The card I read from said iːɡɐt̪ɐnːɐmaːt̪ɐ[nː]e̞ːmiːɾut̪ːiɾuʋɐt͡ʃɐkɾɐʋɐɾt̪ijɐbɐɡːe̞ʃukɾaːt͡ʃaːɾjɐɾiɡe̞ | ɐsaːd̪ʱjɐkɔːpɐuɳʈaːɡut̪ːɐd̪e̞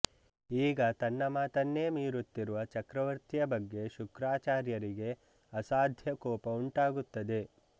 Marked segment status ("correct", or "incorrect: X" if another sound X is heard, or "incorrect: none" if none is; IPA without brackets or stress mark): correct